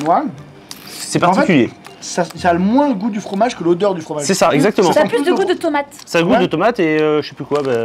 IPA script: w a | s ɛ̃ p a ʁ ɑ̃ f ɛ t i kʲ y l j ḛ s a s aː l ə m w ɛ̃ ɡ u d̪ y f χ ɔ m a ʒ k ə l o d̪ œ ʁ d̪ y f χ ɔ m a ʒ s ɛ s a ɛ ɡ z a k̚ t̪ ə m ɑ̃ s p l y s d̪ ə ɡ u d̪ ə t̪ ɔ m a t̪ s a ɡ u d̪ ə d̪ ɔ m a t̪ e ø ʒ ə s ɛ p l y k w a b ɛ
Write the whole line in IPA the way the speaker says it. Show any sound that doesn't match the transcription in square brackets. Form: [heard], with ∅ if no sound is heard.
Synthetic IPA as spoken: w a | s [ɛ] p a ʁ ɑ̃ f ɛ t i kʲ y l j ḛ s a s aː l ə m w ɛ̃ ɡ u d̪ y f χ ɔ m a ʒ k ə l o d̪ œ ʁ d̪ y f χ ɔ m a ʒ s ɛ s a ɛ ɡ z a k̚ t̪ ə m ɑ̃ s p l y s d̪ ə ɡ u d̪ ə t̪ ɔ m a t̪ s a ɡ u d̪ ə [t̪] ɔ m a t̪ e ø ʒ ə s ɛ p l y k w a b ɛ